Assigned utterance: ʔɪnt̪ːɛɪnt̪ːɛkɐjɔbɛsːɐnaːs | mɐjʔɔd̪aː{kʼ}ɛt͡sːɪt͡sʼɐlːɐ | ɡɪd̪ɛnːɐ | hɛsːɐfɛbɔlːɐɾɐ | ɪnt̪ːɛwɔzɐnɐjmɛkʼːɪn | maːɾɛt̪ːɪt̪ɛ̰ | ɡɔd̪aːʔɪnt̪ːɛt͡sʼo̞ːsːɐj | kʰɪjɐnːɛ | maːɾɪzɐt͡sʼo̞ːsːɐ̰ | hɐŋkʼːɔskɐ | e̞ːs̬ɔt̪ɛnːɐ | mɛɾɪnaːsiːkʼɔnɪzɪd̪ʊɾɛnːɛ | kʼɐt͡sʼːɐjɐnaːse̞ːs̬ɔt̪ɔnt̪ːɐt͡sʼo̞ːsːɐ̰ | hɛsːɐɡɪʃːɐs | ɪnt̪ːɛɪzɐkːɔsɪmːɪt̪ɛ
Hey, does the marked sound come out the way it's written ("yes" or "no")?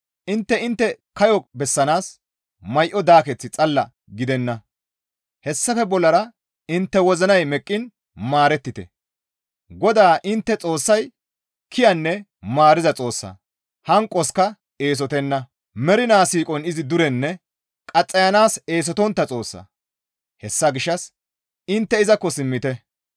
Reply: no